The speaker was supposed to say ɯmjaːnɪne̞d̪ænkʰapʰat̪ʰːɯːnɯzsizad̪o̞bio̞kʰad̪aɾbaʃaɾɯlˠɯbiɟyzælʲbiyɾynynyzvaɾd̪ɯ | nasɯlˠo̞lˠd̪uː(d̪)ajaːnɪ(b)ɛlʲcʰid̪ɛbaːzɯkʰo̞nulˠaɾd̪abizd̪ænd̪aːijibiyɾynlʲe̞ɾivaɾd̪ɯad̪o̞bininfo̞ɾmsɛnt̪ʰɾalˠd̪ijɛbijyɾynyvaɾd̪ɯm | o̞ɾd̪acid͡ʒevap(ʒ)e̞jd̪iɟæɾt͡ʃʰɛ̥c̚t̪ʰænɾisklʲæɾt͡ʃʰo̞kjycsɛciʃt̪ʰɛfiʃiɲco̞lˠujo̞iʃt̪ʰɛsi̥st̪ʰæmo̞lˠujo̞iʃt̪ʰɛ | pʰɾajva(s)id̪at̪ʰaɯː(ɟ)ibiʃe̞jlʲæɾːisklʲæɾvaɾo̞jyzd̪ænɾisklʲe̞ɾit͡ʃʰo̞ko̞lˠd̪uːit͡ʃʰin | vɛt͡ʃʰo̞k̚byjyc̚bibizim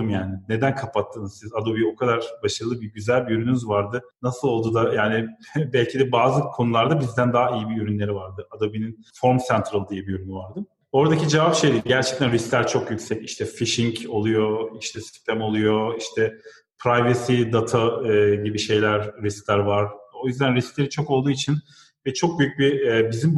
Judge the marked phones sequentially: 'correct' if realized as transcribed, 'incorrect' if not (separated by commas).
correct, correct, incorrect, correct, correct